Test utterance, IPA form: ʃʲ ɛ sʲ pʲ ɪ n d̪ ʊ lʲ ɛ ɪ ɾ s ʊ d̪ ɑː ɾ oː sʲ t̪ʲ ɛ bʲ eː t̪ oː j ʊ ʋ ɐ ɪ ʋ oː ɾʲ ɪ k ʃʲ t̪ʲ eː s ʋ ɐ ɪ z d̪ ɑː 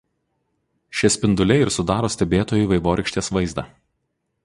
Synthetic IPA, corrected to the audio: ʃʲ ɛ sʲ pʲ ɪ n d̪ ʊ lʲ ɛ ɪ ɾ s ʊ d̪ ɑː ɾ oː sʲ t̪ʲ ɛ bʲ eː t̪ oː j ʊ ʋ ɐ ɪ ʋ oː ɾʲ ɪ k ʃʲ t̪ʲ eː s ʋ ɐ ɪ z d̪ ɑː